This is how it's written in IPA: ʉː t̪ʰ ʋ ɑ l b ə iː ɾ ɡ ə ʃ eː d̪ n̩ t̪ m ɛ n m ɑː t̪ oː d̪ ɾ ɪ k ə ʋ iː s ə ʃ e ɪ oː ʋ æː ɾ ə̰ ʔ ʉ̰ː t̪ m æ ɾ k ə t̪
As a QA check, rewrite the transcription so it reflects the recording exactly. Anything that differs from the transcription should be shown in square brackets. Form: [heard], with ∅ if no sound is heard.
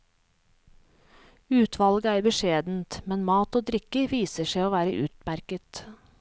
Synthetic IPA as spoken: ʉː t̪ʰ ʋ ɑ l [ɡ] ə [æː] ɾ [b] ə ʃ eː d̪ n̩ t̪ m ɛ n m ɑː t̪ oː d̪ ɾ ɪ k ə ʋ iː s ə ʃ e ɪ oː ʋ æː ɾ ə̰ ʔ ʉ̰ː t̪ m æ ɾ k ə t̪